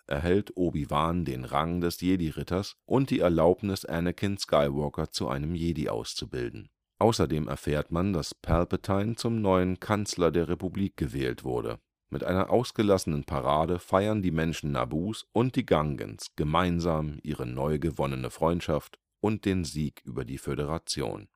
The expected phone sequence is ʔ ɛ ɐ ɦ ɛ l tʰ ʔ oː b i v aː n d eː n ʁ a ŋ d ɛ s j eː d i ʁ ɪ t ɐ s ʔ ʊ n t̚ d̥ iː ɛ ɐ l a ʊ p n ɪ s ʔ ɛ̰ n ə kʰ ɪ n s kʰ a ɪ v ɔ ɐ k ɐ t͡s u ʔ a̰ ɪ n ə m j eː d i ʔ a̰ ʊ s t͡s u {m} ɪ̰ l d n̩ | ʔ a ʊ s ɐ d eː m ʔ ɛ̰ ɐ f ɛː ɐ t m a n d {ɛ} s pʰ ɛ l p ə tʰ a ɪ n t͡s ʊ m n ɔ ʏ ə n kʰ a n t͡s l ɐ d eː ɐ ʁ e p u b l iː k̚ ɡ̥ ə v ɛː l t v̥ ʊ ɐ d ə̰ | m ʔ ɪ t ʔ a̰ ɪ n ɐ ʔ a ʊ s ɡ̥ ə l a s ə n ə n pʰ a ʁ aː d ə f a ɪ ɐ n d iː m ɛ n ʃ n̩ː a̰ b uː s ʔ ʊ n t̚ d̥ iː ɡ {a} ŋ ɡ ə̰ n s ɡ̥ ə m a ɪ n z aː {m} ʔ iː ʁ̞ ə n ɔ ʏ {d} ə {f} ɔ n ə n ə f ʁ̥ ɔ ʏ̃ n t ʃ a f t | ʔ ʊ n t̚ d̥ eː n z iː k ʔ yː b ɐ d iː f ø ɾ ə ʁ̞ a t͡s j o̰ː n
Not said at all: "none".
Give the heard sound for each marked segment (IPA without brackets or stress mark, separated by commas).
b, a, a, m, ɡ, v